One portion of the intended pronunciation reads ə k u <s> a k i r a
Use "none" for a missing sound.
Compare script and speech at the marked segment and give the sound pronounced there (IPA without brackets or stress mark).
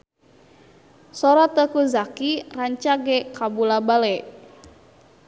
z